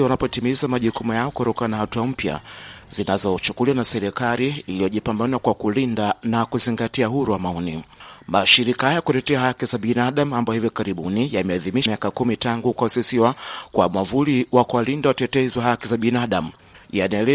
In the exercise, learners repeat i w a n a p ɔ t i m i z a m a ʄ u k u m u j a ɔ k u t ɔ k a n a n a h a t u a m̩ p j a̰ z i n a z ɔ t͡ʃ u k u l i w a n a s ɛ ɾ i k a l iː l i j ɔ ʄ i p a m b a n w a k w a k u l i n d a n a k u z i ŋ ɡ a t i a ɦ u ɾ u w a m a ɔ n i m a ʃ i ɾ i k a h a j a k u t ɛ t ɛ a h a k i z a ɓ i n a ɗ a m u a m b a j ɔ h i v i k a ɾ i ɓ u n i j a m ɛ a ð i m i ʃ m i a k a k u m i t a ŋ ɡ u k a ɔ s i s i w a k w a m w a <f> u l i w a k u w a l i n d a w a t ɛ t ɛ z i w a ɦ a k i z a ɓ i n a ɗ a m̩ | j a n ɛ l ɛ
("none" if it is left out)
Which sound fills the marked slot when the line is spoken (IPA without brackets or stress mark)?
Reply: v